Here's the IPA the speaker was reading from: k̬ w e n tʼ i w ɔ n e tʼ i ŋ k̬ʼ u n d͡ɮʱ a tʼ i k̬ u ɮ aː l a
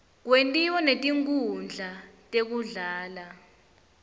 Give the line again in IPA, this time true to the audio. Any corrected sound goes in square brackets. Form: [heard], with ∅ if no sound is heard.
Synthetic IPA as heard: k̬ w e n tʼ i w ɔ n e tʼ i ŋ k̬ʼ u n d͡ɮʱ a tʼ [e] k̬ u ɮ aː l a